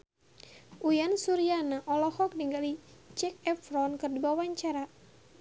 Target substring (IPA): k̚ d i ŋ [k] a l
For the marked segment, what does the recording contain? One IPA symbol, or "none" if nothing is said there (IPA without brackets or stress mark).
ɡ